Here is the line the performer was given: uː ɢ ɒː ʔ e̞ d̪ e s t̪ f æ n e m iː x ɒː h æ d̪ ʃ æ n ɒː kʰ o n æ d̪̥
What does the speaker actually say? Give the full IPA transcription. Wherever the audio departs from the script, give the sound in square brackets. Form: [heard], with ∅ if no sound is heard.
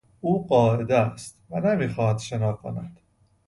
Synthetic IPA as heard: uː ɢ ɒː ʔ e̞ d̪ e s t̪ [v] æ n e m iː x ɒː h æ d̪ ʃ [e] n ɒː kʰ o n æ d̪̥